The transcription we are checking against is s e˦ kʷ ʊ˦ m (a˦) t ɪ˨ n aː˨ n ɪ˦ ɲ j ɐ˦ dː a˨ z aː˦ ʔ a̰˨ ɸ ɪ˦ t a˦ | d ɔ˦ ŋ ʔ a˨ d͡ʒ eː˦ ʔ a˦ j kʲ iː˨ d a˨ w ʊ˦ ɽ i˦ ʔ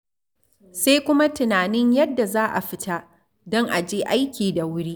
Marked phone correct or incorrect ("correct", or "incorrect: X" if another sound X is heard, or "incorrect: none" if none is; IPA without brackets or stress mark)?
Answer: correct